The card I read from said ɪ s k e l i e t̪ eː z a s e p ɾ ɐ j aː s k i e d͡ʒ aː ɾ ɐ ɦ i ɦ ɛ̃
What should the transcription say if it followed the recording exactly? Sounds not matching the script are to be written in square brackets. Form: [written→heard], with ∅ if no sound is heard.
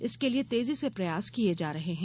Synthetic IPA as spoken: ɪ s k e l i e t̪ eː z [a→i] s e p ɾ ɐ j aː s k i e d͡ʒ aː ɾ ɐ ɦ [i→e] ɦ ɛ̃